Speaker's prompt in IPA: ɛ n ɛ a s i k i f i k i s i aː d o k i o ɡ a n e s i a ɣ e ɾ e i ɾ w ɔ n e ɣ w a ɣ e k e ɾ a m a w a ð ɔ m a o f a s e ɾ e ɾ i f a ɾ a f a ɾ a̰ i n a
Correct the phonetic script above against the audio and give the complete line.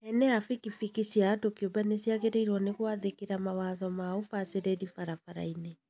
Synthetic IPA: ɛ n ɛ a f i k i f i k i s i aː d o k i o b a n e s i a ɣ e ɾ e i ɾ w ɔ n e ɣ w a ð e k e ɾ a m a w a ð ɔ m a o f a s e ɾ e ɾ i f a ɾ a f a ɾ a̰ i n e